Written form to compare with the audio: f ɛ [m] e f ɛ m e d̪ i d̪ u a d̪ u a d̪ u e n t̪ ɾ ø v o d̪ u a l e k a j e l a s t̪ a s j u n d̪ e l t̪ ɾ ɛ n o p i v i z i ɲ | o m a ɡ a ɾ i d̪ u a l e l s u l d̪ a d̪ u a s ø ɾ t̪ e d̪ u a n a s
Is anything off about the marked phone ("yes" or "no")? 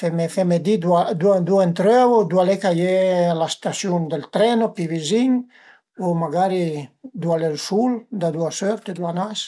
no